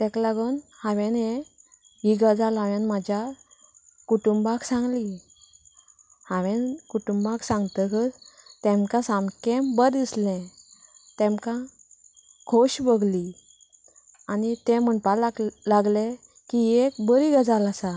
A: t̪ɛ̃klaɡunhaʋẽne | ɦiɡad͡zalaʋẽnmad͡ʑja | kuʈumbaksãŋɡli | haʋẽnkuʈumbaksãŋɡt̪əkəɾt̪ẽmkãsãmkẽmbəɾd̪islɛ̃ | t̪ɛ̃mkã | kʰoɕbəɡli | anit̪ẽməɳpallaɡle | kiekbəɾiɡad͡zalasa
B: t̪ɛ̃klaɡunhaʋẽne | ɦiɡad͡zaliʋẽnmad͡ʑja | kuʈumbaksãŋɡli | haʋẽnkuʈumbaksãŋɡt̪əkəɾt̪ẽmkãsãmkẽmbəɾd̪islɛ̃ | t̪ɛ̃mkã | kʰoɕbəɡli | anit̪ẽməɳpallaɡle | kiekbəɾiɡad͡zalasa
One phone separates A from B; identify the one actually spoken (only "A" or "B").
A